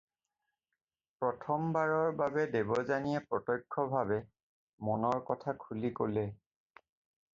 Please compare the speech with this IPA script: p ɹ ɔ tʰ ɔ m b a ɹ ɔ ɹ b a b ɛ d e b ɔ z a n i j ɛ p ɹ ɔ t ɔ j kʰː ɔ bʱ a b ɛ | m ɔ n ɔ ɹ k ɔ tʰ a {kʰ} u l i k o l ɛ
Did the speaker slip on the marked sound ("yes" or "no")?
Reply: no